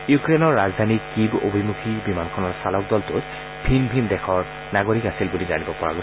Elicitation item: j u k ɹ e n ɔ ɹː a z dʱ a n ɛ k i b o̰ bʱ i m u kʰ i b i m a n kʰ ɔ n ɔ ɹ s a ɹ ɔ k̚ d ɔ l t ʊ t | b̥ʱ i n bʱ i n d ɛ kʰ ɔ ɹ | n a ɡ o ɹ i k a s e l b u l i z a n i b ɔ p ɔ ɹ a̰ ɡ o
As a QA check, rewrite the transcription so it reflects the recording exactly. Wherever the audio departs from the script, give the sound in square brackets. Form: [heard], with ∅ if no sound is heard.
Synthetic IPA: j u k ɹ e n ɔ ɹː a z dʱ a n [i] k i b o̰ bʱ i m u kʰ i b i m a n kʰ ɔ n ɔ ɹ s a [l] ɔ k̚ d ɔ l t ʊ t | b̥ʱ i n bʱ i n d ɛ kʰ ɔ ɹ | n a ɡ o ɹ i k a s [i] l b u l i z a n i b ɔ p ɔ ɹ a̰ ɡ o